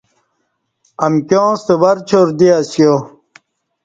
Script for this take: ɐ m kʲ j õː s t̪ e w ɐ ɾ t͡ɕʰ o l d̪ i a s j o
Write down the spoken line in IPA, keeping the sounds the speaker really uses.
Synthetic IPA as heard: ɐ m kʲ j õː s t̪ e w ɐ ɾ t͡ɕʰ o ɾ d̪ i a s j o